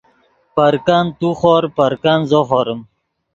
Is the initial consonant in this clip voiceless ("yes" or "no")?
yes